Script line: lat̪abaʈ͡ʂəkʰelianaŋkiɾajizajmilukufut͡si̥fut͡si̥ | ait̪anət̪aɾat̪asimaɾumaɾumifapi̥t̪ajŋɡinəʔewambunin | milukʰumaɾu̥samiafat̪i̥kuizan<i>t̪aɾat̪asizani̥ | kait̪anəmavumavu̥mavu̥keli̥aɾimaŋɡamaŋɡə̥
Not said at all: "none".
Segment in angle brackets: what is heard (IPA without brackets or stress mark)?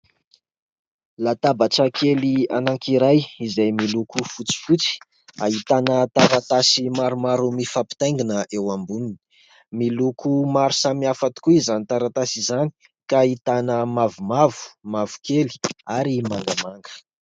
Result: i